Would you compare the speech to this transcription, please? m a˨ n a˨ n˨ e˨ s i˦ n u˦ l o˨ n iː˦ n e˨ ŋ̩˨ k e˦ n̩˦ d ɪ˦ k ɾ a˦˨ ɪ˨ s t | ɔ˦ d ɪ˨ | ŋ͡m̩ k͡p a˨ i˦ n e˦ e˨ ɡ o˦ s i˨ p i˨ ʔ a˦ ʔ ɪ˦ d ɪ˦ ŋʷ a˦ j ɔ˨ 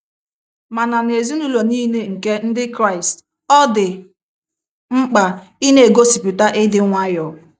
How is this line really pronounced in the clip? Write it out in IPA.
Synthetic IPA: m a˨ n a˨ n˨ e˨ z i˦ n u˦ l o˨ n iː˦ n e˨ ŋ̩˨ k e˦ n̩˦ d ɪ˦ k ɾ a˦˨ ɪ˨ s t | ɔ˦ d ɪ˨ | ŋ͡m̩ k͡p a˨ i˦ n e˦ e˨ ɡ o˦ s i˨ p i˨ t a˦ ʔ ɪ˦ d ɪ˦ ŋʷ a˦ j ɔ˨